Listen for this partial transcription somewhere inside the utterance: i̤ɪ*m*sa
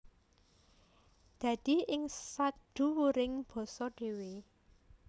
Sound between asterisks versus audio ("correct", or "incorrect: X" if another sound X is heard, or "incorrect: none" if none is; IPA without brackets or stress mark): incorrect: ŋ